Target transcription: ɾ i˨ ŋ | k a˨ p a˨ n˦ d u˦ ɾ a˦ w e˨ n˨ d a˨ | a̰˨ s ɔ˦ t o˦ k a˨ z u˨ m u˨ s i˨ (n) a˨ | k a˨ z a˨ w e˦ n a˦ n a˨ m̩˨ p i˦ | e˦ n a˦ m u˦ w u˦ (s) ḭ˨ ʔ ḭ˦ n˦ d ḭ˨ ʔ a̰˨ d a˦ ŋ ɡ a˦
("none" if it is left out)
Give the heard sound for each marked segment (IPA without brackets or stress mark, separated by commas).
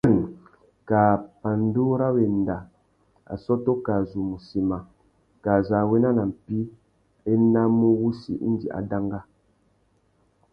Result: m, s